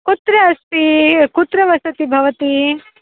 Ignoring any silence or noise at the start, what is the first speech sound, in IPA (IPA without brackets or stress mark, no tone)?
k